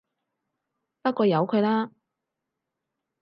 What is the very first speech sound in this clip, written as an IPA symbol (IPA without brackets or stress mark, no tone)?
p